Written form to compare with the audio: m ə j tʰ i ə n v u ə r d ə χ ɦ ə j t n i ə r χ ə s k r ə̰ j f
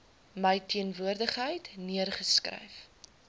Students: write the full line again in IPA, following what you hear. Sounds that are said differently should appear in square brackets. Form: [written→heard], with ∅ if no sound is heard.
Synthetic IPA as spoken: m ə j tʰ i ə n v u ə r d ə χ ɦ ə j t n i ə r χ ə s k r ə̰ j f